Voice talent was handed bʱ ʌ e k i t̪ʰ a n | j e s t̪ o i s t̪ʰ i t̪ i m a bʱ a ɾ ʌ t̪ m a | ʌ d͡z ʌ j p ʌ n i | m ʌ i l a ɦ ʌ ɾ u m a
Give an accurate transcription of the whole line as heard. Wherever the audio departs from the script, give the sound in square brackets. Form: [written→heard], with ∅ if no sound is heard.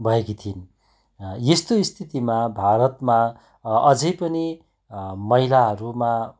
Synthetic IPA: bʱ ʌ e k i t̪ʰ [a→i] n | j e s t̪ o i s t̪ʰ i t̪ i m a bʱ a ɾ ʌ t̪ m a | ʌ d͡z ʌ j p ʌ n i | m ʌ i l a ɦ ʌ ɾ u m a